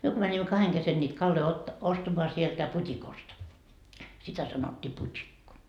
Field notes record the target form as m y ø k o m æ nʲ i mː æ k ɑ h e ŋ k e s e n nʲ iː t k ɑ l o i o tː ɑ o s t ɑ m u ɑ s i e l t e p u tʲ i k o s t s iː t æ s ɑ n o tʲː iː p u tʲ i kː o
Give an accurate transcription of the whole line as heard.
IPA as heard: m y ø k o m æ nʲ i mː æ k ɑ h e ŋ k e s e n nʲ iː t k ɑ lː o i o tː ɑ o s t ɑ m o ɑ s i e l t æ p u tʲ i k o s t s i t æ s ɑ n o tʲː iː p u tʲ i kː o